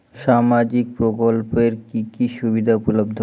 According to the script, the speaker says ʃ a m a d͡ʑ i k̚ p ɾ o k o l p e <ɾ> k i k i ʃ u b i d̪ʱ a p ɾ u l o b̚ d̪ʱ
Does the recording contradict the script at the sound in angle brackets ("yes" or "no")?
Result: no